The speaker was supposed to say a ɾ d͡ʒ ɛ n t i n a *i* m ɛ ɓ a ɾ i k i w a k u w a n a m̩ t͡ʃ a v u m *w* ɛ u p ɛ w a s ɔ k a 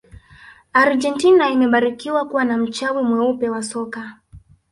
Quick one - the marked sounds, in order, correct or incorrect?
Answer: correct, correct

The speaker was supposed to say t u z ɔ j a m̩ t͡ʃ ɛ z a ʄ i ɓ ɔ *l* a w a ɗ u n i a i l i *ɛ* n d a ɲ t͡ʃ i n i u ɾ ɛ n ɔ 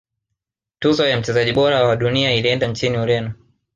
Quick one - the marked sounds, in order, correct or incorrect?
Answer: incorrect: ɾ, correct

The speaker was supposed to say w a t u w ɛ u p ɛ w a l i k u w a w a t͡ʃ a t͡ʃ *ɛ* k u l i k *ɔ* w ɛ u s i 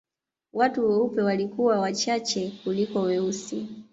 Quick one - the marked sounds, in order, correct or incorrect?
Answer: correct, correct

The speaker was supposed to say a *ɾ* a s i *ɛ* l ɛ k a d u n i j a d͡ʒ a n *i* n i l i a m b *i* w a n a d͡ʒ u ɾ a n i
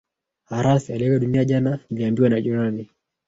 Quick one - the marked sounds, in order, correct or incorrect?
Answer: correct, incorrect: a, incorrect: a, correct

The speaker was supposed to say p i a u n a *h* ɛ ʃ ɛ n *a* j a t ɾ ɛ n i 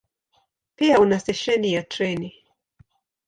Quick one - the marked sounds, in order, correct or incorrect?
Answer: incorrect: s, incorrect: i

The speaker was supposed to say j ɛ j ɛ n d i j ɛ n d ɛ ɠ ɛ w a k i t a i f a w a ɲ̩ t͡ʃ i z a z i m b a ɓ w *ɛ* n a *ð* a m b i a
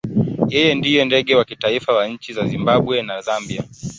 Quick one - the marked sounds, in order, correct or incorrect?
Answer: correct, incorrect: z

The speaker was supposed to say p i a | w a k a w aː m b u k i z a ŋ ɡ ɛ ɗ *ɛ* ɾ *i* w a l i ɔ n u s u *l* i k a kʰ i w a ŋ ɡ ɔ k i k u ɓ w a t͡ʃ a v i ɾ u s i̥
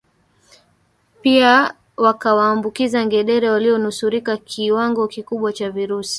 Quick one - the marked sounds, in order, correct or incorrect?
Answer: correct, incorrect: ɛ, incorrect: ɾ

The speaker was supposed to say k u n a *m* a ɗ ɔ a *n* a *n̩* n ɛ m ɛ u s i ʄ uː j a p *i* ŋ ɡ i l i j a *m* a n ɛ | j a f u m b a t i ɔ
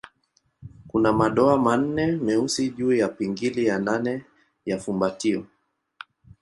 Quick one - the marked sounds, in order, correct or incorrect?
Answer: correct, incorrect: m, correct, correct, incorrect: n

